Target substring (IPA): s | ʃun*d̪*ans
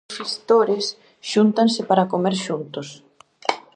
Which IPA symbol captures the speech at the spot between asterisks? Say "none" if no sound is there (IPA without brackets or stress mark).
t̪